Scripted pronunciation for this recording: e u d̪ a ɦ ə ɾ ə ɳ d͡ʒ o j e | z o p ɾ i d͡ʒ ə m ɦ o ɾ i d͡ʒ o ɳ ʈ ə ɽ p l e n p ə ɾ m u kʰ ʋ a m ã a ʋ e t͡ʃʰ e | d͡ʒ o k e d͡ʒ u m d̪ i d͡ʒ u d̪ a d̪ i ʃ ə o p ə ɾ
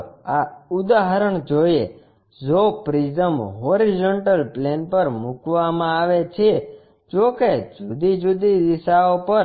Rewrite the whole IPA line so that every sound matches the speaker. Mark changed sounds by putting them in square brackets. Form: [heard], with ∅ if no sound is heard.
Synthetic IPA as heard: [a] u d̪ a ɦ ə ɾ ə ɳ d͡ʒ o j e | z o p ɾ i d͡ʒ ə m ɦ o ɾ i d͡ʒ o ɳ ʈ ə [l] p l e n p ə ɾ m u [k] ʋ a m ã a ʋ e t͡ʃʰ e | d͡ʒ o k e d͡ʒ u [∅] d̪ i d͡ʒ u d̪ [i] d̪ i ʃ [a] o p ə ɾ

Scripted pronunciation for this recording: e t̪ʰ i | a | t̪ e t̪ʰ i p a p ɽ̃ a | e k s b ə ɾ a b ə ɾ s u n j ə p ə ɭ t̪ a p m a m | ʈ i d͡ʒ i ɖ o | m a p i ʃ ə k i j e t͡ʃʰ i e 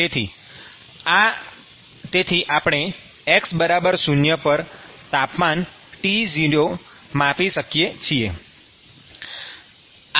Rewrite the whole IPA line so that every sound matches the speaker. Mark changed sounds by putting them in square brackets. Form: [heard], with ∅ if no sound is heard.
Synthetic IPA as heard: e t̪ʰ i | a | t̪ e t̪ʰ i [ʔ] a p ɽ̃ [e] | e k s b ə ɾ a b ə ɾ s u n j ə p ə [ɾ] t̪ a p m a [n] | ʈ i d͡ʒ i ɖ o | m a p i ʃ ə k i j e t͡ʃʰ i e

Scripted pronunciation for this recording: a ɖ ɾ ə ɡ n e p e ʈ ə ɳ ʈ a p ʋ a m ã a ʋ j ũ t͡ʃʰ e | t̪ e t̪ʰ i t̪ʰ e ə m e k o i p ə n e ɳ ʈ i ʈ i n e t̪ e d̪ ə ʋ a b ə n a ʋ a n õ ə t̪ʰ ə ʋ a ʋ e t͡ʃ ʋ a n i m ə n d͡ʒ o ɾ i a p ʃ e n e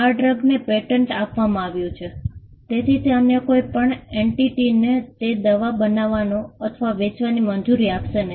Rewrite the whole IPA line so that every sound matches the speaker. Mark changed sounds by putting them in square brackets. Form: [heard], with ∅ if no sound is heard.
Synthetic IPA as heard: a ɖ ɾ ə ɡ n e p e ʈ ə ɳ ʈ a p ʋ a m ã a ʋ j ũ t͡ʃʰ e | t̪ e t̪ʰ i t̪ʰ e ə m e k o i p ə [ɳ] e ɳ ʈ i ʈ i n e t̪ e d̪ ə ʋ a b ə n a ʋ a n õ ə t̪ʰ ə ʋ a ʋ e t͡ʃ ʋ a n i m ə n d͡ʒ [u] ɾ i a p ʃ e n e

